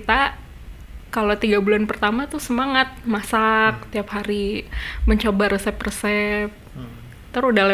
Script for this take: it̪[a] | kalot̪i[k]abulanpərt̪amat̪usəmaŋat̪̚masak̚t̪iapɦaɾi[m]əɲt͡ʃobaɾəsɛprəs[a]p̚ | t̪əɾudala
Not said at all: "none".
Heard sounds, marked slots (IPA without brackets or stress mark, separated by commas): a, ɡ, m, ɛ